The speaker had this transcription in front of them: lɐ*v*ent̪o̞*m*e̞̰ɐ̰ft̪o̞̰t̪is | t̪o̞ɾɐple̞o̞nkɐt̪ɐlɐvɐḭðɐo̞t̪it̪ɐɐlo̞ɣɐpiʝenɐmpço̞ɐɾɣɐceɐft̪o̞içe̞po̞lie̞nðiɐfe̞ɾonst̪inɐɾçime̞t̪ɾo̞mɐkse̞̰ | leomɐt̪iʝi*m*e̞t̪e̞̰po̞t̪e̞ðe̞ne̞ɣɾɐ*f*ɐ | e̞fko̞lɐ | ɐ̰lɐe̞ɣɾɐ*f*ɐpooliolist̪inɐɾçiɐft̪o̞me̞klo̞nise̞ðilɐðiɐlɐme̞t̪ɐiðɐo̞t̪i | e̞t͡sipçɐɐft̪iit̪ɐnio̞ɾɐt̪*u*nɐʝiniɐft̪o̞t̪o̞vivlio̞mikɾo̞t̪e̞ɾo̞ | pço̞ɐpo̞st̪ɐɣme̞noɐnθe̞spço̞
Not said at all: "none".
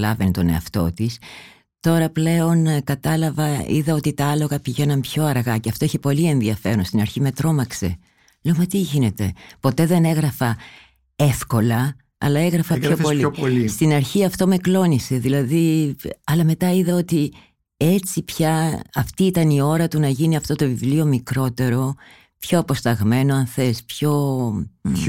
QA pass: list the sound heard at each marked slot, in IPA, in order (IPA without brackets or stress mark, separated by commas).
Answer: v, n, n, f, f, u